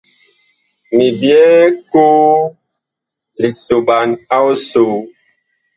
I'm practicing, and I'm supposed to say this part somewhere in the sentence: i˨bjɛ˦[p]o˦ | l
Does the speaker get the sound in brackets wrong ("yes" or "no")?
yes